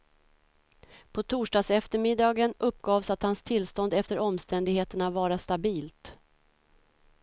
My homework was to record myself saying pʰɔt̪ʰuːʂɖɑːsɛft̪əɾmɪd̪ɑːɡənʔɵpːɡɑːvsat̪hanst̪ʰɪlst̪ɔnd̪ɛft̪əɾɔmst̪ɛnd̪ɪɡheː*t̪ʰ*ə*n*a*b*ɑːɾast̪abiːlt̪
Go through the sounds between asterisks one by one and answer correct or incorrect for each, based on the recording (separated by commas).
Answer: incorrect, incorrect, incorrect